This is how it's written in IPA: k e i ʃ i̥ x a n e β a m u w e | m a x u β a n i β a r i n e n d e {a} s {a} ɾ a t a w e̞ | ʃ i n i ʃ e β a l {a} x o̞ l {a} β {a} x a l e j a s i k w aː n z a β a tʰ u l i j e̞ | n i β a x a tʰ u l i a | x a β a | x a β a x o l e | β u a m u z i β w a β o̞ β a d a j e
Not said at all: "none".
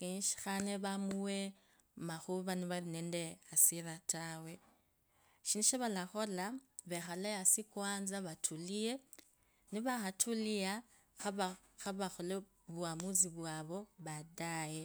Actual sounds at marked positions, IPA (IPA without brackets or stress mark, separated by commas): a, i, a, a, e